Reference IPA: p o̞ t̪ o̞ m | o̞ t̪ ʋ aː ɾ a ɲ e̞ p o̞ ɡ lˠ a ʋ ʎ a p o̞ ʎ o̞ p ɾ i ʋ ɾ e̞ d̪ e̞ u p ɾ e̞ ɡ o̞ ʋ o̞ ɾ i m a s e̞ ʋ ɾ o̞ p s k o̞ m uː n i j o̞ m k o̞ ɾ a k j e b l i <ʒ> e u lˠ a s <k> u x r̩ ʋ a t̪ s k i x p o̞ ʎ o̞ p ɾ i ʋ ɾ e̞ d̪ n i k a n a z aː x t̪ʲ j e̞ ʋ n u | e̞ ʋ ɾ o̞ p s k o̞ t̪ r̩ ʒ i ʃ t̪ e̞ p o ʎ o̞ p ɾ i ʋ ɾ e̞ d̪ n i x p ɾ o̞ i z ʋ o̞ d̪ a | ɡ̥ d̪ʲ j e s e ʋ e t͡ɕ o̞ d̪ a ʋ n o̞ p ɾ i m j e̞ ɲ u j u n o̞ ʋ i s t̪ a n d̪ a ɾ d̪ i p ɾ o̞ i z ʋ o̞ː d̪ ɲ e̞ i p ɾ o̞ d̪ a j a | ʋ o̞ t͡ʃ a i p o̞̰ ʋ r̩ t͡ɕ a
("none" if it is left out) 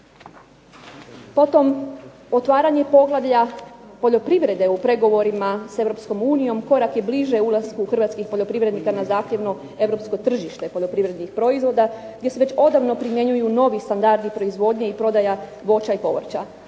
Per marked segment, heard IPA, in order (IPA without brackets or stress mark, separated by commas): ʒ, k